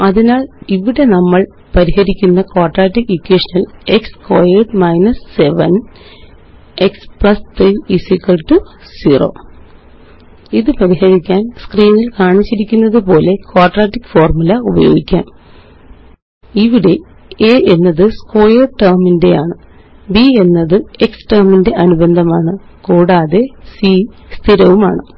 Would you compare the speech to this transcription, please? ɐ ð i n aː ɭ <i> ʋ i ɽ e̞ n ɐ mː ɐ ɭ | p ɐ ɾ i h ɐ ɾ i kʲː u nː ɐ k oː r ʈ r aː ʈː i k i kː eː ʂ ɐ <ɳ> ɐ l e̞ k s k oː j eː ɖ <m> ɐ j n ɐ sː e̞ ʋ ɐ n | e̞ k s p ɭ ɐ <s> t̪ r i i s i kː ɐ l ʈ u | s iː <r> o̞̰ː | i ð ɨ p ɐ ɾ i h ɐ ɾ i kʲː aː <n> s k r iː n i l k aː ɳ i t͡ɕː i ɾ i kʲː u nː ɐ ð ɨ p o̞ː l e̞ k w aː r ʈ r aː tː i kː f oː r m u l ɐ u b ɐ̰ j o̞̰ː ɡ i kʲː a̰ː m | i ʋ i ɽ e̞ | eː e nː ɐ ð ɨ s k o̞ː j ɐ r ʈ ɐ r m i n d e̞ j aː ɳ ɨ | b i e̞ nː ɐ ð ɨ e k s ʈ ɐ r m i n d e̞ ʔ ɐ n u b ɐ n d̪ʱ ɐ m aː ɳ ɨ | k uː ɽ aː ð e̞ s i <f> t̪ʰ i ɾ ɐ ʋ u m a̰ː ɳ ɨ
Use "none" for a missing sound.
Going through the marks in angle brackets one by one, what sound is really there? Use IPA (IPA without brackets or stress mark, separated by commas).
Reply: i, n, m, s, r, n, s